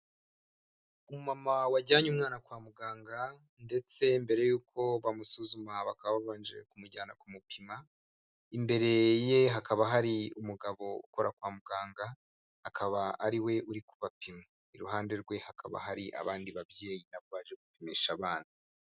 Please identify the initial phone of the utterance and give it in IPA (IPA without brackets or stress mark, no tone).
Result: u